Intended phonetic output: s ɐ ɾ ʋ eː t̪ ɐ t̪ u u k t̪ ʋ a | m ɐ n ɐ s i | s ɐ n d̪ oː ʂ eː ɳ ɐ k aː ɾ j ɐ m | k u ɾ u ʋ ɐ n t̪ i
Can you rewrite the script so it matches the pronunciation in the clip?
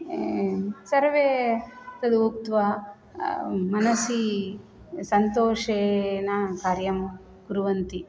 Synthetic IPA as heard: s ɐ ɾ ʋ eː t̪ ɐ d̪ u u k t̪ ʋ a | m ɐ n ɐ s i | s ɐ n t̪ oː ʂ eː n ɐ k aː ɾ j ɐ m | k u ɾ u ʋ ɐ n t̪ i